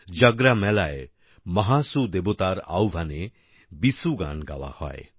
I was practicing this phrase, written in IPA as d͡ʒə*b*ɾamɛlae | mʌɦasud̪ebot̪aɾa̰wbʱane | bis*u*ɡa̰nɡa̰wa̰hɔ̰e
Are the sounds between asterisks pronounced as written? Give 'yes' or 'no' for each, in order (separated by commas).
no, yes